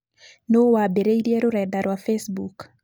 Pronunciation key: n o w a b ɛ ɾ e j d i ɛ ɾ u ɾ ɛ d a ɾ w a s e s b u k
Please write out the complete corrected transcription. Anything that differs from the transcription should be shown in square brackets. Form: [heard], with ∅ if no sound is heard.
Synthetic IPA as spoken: n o w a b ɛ ɾ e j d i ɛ ɾ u ɾ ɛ d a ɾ w a [f] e s b u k